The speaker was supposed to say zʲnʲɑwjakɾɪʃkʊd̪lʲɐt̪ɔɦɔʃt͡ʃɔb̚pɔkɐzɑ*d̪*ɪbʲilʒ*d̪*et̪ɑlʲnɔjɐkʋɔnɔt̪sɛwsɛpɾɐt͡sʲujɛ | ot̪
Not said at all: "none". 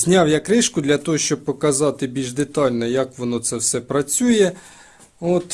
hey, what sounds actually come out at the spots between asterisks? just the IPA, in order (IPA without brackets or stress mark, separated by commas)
t̪, d̪